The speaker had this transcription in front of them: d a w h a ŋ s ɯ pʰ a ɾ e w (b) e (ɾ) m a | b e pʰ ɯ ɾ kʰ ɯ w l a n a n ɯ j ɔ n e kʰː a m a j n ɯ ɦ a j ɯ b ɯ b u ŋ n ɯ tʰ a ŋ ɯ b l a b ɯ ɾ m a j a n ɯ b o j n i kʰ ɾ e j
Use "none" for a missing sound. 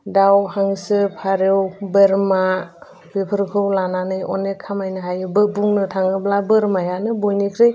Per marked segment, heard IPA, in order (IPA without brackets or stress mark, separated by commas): b, ɾ